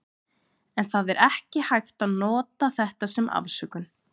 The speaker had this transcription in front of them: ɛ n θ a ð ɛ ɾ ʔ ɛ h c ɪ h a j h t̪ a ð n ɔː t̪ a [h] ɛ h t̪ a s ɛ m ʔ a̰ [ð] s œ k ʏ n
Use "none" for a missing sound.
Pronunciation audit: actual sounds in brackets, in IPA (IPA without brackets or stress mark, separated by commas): θ, v